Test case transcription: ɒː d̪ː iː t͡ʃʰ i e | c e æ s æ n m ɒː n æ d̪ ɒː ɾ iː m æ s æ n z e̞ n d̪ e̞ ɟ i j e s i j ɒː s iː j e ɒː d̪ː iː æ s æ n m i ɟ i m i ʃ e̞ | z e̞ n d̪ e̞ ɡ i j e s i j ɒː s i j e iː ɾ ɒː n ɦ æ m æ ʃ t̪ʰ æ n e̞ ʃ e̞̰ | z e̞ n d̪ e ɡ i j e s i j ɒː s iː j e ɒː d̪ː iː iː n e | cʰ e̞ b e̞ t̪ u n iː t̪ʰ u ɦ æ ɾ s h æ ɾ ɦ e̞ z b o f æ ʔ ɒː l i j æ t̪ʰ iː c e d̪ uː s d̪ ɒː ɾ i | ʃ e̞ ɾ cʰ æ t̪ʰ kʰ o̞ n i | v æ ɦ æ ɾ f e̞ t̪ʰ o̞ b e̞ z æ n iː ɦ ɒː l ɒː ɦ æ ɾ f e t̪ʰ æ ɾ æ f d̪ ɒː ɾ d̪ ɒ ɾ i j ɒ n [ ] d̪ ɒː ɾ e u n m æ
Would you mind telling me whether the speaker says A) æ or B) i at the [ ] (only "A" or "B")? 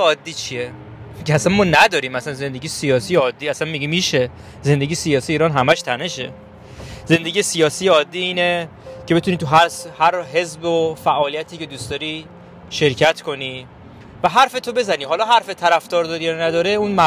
A